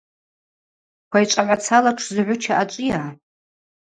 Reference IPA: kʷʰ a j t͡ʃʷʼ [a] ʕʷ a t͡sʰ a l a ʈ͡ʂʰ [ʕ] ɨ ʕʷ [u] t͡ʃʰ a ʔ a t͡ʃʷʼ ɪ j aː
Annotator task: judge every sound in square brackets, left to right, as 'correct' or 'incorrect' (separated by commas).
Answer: correct, incorrect, incorrect